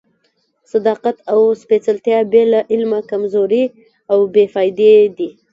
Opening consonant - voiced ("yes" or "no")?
no